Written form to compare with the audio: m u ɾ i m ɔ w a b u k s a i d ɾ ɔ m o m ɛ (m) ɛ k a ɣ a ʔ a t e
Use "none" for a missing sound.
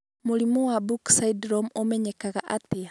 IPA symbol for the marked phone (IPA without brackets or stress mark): ɲ